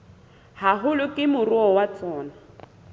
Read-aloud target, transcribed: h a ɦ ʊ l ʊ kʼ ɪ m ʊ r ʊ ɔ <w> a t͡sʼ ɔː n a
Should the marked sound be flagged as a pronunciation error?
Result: no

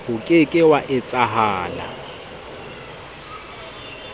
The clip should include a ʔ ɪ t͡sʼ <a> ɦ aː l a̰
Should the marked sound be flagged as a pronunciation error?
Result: no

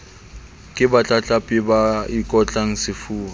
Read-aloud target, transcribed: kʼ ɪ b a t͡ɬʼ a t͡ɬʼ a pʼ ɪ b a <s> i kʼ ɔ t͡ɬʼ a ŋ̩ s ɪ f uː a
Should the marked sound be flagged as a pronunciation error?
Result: yes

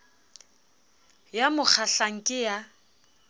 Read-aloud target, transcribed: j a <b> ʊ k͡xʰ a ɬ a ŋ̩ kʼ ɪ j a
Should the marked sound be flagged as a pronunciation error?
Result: yes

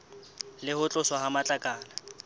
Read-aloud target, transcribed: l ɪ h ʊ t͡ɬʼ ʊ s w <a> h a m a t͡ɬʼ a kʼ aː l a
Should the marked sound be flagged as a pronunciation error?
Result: no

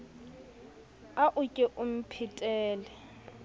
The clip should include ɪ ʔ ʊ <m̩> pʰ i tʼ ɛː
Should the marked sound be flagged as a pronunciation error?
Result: no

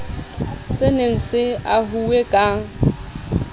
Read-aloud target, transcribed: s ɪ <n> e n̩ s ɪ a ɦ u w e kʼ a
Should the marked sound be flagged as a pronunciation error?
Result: no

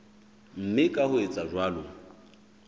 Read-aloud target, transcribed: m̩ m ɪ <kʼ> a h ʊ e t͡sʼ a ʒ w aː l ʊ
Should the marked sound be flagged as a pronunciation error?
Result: no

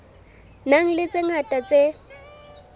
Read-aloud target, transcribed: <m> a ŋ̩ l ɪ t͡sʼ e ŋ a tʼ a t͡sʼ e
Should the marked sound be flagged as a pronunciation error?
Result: yes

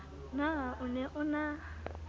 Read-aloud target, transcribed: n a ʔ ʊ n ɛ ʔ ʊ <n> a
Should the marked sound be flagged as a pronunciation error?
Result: no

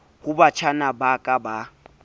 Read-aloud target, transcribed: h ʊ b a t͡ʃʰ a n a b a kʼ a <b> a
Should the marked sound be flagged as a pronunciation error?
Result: no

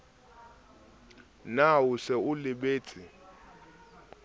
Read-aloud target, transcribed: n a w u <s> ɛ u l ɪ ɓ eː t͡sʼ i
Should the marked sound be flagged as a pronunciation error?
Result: no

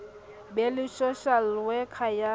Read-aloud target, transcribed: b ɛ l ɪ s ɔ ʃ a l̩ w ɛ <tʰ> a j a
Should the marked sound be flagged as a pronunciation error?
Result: yes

